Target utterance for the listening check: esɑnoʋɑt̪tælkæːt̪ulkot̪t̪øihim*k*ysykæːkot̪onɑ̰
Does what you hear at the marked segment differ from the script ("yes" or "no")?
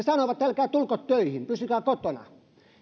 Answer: yes